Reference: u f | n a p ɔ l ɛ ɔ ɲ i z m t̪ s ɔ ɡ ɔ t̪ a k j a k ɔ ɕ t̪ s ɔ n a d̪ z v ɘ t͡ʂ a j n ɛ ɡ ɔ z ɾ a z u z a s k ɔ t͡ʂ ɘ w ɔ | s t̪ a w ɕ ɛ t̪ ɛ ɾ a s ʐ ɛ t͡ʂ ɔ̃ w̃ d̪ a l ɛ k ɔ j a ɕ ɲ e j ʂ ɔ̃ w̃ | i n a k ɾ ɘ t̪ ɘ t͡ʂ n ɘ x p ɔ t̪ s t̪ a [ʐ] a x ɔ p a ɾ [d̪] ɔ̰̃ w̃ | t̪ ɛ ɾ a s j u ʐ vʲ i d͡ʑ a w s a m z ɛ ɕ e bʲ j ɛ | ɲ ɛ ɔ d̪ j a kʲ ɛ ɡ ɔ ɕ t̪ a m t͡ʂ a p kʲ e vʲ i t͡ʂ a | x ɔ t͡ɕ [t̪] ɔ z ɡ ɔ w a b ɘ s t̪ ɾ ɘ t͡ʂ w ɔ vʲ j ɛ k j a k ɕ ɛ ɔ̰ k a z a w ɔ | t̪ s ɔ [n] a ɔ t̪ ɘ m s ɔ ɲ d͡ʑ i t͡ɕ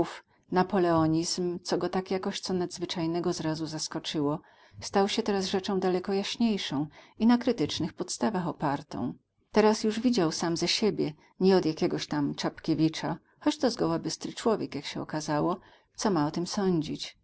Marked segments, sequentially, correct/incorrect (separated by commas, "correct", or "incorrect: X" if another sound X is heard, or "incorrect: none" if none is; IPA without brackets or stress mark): incorrect: v, incorrect: t̪, correct, incorrect: m